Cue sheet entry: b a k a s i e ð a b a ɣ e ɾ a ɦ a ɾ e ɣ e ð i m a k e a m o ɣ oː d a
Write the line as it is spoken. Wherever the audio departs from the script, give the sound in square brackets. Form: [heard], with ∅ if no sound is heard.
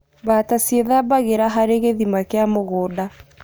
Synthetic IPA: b a [t] a s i e ð a b a ɣ e ɾ a ɦ a ɾ e ɣ e ð i m a k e a m o ɣ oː d a